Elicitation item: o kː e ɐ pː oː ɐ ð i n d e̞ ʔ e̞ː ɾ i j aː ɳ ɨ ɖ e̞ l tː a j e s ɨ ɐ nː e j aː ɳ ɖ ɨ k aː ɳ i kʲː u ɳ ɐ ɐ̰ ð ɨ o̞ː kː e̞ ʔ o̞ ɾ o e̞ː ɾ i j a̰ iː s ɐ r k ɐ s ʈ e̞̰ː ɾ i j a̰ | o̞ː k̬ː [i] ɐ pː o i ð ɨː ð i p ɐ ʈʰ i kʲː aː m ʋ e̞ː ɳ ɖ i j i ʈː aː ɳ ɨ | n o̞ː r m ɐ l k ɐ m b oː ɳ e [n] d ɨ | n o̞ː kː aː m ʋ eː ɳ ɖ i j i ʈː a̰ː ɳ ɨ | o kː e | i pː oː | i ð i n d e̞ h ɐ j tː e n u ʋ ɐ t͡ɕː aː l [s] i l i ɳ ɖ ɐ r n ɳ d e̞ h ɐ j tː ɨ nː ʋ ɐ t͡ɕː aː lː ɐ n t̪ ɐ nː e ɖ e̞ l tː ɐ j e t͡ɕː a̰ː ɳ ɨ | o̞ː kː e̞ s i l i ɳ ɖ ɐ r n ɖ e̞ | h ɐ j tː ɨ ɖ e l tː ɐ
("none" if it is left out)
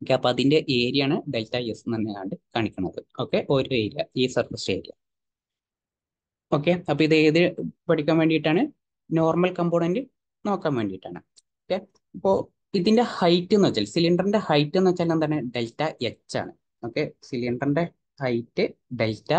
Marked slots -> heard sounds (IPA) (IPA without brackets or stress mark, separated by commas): e, n, s